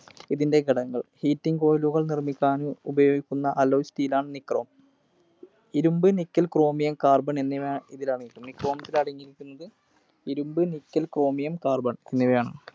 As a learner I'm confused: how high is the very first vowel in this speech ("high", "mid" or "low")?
high